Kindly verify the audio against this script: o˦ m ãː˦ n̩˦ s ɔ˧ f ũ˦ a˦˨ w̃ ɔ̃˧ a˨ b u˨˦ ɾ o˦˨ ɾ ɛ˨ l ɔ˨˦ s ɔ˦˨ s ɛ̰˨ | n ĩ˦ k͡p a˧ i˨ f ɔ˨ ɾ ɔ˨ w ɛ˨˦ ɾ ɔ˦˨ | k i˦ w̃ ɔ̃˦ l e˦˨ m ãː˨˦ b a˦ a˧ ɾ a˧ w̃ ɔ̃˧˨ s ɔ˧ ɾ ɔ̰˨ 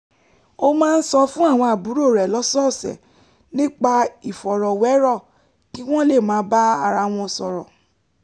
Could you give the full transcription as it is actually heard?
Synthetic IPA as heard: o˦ m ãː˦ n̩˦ s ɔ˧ f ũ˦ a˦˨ w̃ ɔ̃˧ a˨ b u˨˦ ɾ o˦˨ ɾ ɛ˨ l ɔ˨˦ s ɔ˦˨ s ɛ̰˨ | n ĩ˦ k͡p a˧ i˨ f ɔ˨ ɾ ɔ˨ w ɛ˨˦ ɾ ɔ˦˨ | k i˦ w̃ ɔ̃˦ l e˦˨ m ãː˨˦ b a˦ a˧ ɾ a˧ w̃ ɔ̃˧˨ s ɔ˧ ɾ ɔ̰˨